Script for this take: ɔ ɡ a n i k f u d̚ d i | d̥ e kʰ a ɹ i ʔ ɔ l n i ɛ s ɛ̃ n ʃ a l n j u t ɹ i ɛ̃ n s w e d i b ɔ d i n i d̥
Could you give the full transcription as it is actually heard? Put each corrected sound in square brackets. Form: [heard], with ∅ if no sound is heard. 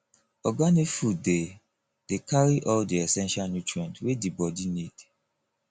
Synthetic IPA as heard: ɔ ɡ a n i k f u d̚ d [e] | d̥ e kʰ a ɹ i ʔ ɔ l [d] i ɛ s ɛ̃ n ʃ a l n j u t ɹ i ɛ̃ n [t] w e d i b ɔ d i n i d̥